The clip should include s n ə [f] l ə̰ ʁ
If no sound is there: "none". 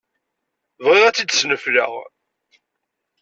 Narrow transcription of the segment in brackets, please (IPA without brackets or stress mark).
f